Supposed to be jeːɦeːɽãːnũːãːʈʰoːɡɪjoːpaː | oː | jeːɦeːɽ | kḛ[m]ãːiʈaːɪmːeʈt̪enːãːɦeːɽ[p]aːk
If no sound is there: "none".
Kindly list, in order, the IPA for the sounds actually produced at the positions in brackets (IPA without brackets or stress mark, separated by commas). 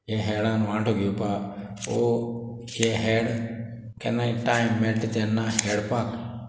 n, p